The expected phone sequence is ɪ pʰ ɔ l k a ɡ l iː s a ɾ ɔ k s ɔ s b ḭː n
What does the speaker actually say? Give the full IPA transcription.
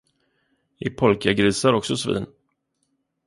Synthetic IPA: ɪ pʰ ɔ l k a ɡ ɾ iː s a ɾ ɔ k s ɔ s v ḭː n

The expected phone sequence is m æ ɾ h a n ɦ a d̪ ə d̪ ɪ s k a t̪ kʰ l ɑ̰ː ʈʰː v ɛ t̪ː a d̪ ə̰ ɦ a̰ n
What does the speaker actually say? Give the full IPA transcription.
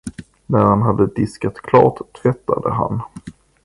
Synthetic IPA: n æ ɾ h a n ɦ a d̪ ə d̪ ɪ s k a t̪ kʰ l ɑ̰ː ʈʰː v ɛ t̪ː a d̪ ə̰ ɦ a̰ n

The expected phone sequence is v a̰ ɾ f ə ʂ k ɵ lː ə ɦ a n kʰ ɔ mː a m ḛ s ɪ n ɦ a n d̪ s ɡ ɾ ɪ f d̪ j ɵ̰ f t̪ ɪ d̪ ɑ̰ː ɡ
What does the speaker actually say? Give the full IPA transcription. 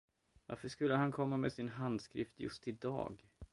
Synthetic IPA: v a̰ ɾ f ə ʂ k ɵ lː ə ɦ a n kʰ ɔ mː a m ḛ s ɪ n ɦ a n d̪ s k ɾ ɪ f t̪ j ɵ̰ s t̪ ɪ d̪ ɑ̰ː ɡ

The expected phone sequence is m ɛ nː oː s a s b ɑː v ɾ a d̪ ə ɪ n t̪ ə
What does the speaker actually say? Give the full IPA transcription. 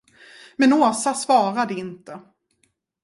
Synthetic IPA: m ɛ n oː s a s v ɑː ɾ a d̪ ə ɪ n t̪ ə

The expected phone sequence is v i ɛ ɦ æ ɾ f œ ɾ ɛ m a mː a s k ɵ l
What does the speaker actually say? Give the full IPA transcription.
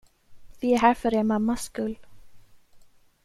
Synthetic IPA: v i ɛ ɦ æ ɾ f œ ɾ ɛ m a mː a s k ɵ l

